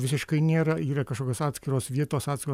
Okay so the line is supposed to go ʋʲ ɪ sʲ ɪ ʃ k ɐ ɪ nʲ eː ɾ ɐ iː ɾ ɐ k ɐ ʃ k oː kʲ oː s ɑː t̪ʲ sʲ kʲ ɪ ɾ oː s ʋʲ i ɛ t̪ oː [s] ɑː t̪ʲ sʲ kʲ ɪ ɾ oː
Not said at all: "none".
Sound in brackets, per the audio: s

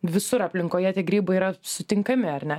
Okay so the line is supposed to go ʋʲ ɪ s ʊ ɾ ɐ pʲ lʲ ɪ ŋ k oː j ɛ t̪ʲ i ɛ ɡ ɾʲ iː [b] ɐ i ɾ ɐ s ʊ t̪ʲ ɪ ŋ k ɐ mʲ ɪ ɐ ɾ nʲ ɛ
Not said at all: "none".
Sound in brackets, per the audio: b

